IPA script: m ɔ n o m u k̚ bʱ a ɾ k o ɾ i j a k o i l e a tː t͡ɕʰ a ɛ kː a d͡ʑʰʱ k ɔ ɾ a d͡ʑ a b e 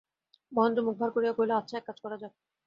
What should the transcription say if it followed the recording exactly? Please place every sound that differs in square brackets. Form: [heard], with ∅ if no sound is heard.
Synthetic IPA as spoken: m ɔ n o m u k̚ bʱ a ɾ k o ɾ i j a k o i l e a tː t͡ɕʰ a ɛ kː a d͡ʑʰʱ k ɔ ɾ a d͡ʑ a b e